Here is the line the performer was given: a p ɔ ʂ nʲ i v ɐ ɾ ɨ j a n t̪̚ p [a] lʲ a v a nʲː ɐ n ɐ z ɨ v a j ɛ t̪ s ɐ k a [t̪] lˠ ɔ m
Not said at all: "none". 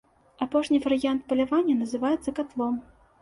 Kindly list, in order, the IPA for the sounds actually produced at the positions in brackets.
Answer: ɐ, t̪

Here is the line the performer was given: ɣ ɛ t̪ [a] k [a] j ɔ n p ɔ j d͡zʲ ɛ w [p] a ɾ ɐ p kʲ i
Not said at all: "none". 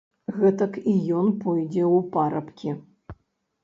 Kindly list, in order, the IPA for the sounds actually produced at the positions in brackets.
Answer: ɐ, i, p

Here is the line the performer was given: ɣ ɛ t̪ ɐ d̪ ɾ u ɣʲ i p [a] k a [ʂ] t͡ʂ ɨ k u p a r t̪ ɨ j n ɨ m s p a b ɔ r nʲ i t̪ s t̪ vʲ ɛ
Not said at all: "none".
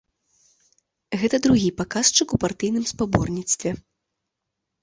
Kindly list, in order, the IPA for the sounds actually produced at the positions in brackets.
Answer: a, s

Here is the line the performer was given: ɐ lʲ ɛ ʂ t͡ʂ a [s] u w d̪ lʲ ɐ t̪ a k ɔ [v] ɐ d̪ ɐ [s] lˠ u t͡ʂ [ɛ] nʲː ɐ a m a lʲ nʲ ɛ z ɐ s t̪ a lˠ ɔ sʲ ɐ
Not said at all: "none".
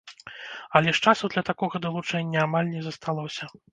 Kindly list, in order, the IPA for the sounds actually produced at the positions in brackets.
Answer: s, ɣ, none, ɛ

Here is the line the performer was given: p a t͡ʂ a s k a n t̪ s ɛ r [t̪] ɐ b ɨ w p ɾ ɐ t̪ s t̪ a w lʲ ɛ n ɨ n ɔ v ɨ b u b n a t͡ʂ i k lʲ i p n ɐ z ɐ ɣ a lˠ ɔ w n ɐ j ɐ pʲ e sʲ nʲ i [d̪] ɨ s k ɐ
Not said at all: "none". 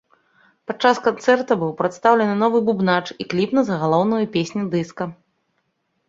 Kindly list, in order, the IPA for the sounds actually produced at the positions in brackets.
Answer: t̪, d̪

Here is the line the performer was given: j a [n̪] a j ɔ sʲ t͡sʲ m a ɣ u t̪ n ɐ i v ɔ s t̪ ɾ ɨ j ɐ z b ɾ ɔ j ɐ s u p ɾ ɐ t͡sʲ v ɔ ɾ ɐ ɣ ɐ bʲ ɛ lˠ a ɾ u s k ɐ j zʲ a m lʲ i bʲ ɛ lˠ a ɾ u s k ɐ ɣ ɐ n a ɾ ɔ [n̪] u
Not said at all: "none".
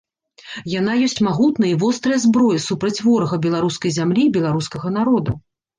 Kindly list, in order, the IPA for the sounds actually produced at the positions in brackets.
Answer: n̪, d̪

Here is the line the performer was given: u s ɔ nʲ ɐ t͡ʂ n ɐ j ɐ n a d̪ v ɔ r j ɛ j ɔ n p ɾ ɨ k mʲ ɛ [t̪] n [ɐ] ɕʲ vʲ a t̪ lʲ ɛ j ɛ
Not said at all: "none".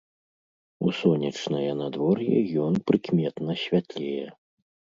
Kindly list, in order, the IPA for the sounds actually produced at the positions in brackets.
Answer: t̪, ɐ

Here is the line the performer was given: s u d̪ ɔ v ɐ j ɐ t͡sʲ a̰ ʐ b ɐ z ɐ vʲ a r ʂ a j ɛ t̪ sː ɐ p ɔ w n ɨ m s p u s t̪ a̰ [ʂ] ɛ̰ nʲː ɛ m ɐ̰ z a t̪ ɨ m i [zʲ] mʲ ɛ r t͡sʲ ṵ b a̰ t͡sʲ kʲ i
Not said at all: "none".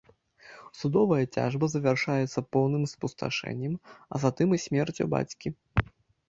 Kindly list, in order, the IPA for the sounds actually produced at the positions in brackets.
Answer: ʂ, sʲ

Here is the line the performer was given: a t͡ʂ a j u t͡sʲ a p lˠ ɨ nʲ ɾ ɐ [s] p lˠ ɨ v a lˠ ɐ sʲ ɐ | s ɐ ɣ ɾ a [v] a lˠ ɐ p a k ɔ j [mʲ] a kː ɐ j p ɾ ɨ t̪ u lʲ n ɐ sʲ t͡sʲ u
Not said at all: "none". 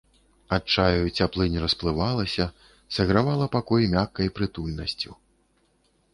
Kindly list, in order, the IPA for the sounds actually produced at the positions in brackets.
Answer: s, v, mʲ

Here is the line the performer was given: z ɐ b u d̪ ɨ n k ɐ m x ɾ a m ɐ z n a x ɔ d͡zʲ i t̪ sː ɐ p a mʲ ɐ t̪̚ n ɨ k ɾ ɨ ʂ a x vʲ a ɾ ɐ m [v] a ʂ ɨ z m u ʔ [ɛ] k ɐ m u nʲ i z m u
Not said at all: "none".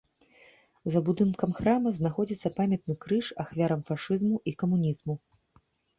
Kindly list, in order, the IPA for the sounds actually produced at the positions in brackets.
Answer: f, i

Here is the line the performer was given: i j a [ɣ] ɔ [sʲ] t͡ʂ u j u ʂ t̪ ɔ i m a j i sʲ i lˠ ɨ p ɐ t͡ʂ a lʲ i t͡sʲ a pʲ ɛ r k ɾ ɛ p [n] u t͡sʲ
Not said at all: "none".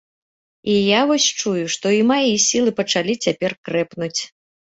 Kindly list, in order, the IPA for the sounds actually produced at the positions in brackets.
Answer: v, sʲ, n

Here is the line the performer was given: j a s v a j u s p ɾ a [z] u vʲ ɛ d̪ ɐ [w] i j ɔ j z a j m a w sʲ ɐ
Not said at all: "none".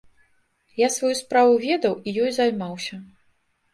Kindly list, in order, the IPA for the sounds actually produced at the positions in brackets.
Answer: v, w

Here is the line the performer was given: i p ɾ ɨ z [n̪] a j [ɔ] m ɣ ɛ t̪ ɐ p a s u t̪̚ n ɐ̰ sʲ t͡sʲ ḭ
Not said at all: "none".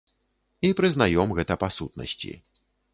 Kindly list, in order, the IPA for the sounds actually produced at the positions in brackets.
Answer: n̪, ɔ

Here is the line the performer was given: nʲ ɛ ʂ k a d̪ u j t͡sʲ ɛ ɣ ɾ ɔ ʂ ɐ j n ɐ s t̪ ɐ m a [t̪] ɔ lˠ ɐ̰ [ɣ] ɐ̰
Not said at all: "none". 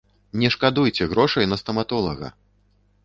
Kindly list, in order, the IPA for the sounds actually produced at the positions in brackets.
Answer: t̪, ɣ

